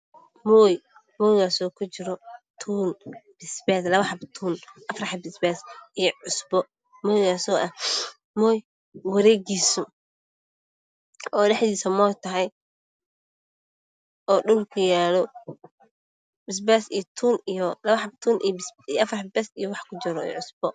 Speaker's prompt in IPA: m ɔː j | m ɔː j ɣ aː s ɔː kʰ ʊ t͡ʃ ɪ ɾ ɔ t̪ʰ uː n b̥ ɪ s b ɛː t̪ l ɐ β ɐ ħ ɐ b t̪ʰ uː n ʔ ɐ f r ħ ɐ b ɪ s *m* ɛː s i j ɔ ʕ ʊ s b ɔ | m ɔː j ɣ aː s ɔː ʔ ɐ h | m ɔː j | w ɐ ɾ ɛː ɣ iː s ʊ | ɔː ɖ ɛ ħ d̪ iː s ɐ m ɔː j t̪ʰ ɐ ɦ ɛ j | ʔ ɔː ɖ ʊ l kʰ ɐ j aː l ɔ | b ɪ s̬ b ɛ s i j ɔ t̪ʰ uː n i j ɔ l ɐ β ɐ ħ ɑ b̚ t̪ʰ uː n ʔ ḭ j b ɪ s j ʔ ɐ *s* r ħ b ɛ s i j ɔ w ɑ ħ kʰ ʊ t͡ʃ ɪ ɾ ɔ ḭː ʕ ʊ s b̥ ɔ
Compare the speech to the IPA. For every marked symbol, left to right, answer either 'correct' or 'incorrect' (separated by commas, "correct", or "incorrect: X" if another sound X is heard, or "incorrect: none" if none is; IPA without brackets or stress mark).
incorrect: b, incorrect: f